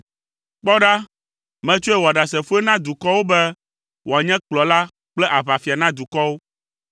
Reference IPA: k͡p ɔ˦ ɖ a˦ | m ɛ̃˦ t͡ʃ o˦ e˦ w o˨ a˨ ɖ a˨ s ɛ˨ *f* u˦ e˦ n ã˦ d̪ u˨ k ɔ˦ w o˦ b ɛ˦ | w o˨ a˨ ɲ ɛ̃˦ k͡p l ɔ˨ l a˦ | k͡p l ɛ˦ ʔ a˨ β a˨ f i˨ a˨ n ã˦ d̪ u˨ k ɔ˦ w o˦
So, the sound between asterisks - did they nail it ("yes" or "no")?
yes